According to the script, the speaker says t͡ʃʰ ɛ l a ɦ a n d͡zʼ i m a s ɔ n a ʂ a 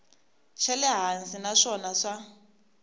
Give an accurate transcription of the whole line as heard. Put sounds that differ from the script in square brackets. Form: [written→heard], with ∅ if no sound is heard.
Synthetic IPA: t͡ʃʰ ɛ l [a→ɛ] ɦ a n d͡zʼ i [m→n] a [s→ʂ] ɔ n a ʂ a